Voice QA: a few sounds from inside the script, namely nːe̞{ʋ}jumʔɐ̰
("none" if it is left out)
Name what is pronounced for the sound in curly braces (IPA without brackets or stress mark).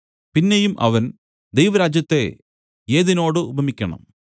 none